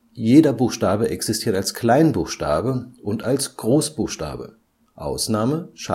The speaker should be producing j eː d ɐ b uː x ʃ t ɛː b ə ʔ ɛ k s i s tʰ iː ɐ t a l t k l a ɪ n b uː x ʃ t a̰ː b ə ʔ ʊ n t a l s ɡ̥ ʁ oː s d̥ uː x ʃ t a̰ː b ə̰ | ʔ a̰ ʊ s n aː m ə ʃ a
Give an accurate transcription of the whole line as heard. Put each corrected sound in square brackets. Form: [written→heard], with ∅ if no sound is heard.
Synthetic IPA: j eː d ɐ b uː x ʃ t [ɛː→aː] b ə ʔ ɛ k s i s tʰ iː ɐ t a l [t→s] k l a ɪ n b uː x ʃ t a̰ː b ə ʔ ʊ n t a l s ɡ̥ ʁ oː s [d̥→b̥] uː x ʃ t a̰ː b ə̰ | ʔ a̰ ʊ s n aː m ə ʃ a